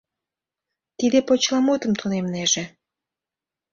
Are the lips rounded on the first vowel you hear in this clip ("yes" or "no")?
no